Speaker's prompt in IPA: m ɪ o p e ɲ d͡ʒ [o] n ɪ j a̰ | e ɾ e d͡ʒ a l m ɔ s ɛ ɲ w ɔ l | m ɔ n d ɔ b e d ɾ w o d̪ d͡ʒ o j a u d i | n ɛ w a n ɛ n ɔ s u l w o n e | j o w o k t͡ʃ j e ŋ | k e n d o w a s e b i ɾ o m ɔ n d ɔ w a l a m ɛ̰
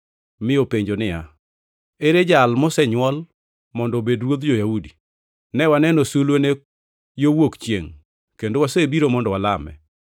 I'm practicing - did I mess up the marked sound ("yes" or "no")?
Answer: no